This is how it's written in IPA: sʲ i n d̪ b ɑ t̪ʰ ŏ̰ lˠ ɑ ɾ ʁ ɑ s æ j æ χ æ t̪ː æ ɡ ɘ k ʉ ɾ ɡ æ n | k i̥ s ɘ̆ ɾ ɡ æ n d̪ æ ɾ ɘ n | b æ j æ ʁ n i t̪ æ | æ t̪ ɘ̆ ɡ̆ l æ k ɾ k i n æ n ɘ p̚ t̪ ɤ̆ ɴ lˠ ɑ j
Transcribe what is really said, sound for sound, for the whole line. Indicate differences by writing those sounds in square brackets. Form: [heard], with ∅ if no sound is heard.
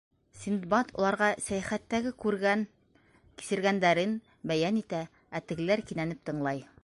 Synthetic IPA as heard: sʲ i n d̪ b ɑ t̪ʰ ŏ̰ lˠ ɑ ɾ ʁ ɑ s æ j æ χ æ t̪ː æ ɡ ɘ k ʉ ɾ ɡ æ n | k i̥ s ɘ̆ ɾ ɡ æ n d̪ æ ɾ ɘ n | b æ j æ [∅] n i t̪ æ | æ t̪ ɘ̆ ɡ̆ l æ [∅] ɾ k i n æ n ɘ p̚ t̪ ɤ̆ ɴ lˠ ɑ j

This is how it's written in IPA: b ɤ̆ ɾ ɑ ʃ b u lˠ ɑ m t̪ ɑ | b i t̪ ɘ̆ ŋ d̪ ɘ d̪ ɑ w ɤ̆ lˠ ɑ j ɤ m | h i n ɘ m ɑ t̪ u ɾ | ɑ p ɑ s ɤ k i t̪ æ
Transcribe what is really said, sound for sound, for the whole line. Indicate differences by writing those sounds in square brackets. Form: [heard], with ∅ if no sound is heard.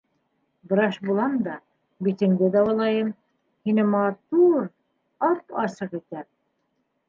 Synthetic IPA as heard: b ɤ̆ ɾ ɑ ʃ b u lˠ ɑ m [d̪] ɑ | b i t̪ ɘ̆ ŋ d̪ ɘ d̪ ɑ w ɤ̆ lˠ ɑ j ɤ m | h i n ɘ m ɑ t̪ u ɾ | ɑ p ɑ s ɤ [q] i t̪ æ

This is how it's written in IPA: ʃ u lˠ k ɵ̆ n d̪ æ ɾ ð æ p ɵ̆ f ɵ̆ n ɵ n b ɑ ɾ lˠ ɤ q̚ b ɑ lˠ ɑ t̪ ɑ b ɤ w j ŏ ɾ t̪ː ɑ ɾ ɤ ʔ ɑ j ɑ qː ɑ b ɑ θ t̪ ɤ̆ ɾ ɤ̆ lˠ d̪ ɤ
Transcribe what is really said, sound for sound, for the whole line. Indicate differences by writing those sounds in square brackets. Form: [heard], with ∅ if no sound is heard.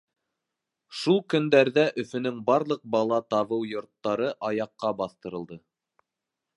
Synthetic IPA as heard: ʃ u lˠ k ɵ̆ n d̪ æ ɾ ð æ [ʔ] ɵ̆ f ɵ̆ n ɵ [ŋ] b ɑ ɾ lˠ ɤ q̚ b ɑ lˠ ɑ t̪ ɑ [β] ɤ w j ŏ ɾ t̪ː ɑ ɾ ɤ ʔ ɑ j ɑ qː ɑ b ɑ θ t̪ ɤ̆ ɾ ɤ̆ lˠ d̪ ɤ

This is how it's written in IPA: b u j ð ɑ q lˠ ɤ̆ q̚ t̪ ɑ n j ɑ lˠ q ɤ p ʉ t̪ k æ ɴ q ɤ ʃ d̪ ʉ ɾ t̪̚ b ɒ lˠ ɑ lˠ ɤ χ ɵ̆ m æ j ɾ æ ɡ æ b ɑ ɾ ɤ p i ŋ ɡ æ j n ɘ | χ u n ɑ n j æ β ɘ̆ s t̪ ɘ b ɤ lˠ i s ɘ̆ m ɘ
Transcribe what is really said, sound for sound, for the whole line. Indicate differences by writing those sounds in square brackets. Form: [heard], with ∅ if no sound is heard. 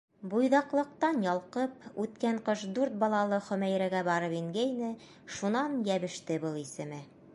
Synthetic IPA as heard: b u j ð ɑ q lˠ ɤ̆ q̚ t̪ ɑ n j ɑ lˠ q ɤ p ʉ t̪ k æ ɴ q ɤ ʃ d̪ ʉ ɾ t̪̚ b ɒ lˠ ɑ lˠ ɤ χ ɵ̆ m æ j ɾ æ ɡ æ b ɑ ɾ ɤ p i ŋ ɡ æ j n ɘ | [ʃ] u n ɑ n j æ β ɘ̆ [ʃ] t̪ ɘ b ɤ lˠ i s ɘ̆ m ɘ

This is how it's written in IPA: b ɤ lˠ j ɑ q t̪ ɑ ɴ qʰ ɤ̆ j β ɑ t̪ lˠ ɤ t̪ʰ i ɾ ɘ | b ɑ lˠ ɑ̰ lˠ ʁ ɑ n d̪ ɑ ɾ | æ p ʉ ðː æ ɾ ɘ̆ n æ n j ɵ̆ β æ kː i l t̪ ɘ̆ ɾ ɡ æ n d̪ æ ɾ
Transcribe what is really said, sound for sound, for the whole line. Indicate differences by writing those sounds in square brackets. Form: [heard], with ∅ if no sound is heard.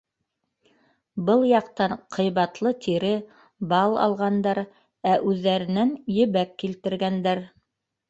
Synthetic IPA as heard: b ɤ lˠ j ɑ q t̪ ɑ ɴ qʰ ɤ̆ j β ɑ t̪ lˠ ɤ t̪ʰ i ɾ ɘ | b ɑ lˠ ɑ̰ lˠ ʁ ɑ n d̪ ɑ ɾ | æ [ʔ] ʉ ðː æ ɾ ɘ̆ n æ n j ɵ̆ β æ kː i l t̪ ɘ̆ ɾ ɡ æ n d̪ æ ɾ

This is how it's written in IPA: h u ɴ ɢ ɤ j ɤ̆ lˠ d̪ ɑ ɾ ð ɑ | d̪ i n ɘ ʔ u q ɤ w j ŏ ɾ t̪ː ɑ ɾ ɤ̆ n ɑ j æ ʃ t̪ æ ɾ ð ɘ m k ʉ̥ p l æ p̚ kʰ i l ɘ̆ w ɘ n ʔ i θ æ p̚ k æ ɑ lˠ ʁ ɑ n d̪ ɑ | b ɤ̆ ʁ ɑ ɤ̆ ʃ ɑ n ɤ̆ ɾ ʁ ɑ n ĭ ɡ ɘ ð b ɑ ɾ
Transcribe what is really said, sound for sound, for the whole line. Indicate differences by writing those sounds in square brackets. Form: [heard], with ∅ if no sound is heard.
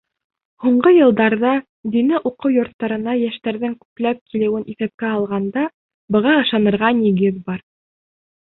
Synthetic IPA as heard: h u ɴ ɢ ɤ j ɤ̆ lˠ d̪ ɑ ɾ ð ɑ | d̪ i n ɘ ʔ u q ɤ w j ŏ ɾ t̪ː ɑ ɾ ɤ̆ n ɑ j æ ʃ t̪ æ ɾ ð ɘ [ŋ] k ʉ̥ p l æ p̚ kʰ i l ɘ̆ w ɘ n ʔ i θ æ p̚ k æ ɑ lˠ ʁ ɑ n d̪ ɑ | b ɤ̆ ʁ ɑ ɤ̆ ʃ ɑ n ɤ̆ ɾ ʁ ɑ n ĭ ɡ ɘ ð b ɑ ɾ

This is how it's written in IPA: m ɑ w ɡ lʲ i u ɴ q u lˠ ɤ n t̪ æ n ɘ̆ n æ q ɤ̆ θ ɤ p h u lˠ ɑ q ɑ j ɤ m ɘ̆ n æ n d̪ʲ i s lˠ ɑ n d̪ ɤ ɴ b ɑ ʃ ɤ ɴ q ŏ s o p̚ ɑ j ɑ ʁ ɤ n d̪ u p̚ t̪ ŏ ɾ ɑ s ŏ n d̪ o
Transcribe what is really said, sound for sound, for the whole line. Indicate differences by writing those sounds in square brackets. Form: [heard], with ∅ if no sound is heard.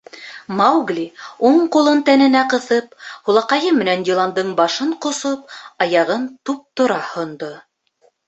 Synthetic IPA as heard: m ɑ w ɡ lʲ i u ɴ q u lˠ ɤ n t̪ æ n ɘ̆ n æ q ɤ̆ θ ɤ p h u lˠ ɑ q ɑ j ɤ m ɘ̆ n æ n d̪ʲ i [∅] lˠ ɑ n d̪ ɤ ɴ b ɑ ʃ ɤ ɴ q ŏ s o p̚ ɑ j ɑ ʁ ɤ n [t̪] u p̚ t̪ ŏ ɾ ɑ [h] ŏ n d̪ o

